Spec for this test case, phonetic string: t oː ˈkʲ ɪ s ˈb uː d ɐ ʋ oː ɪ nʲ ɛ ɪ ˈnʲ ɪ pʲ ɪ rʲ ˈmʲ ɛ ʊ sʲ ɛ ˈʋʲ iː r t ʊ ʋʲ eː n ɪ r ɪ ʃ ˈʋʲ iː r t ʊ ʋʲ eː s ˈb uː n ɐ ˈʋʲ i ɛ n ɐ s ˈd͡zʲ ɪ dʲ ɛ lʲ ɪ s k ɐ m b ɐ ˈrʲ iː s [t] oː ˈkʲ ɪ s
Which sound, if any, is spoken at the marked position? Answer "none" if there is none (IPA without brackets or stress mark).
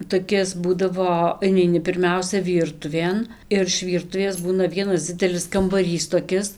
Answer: t